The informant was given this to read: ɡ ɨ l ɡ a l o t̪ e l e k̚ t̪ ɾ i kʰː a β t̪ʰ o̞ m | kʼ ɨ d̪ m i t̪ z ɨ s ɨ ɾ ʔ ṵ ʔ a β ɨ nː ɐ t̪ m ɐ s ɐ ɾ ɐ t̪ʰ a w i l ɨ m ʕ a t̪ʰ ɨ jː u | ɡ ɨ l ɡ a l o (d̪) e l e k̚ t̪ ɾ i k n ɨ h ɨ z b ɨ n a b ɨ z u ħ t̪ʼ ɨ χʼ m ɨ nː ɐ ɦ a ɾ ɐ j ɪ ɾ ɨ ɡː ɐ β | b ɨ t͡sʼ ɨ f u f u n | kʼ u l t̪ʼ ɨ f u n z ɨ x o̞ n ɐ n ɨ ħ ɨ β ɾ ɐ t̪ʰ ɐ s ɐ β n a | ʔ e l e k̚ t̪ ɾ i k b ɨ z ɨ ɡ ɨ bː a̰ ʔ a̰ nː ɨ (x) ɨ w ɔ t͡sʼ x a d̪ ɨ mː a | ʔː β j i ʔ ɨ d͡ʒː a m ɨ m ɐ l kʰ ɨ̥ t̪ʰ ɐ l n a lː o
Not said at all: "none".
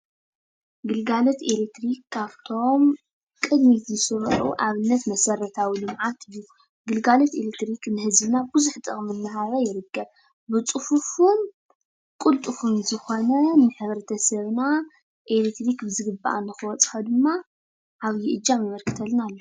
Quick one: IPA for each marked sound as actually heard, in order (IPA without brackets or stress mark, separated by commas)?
t̪, x